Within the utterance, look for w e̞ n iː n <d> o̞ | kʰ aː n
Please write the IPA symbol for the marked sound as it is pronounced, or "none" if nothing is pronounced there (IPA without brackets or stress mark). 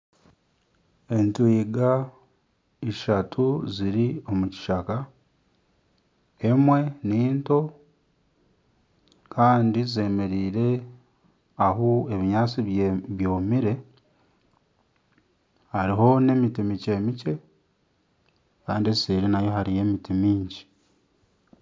t